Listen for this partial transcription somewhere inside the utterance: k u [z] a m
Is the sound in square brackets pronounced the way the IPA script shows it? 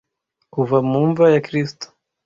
no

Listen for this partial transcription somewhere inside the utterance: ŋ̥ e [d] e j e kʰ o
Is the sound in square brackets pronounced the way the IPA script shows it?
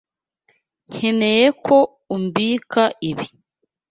no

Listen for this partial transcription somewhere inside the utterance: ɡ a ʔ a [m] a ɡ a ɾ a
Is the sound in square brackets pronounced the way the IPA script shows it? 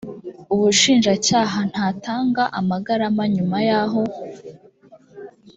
yes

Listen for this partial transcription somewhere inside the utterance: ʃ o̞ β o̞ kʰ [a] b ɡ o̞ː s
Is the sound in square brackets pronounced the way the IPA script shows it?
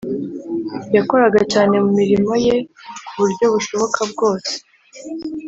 yes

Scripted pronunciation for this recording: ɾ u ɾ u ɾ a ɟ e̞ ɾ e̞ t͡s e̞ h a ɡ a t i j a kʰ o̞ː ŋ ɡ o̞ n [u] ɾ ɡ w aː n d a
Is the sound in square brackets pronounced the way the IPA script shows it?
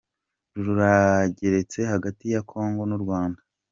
yes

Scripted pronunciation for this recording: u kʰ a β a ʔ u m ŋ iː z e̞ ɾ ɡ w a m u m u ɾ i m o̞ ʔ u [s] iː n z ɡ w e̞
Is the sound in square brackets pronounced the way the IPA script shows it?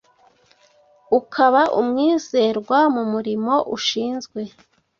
no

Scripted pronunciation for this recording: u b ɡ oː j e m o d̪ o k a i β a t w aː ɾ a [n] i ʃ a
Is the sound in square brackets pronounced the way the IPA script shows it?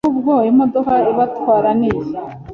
yes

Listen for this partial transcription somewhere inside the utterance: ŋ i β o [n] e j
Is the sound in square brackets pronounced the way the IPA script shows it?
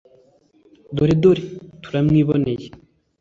yes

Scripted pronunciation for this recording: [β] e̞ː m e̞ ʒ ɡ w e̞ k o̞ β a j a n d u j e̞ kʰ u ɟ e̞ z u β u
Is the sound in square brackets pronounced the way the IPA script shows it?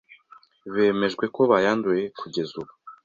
yes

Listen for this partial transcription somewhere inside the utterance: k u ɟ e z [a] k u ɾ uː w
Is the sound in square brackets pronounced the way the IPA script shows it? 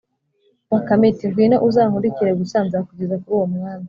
yes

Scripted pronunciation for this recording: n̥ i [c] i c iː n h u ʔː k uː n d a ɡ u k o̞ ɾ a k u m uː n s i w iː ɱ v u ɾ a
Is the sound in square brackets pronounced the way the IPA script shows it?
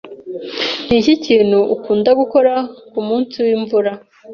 yes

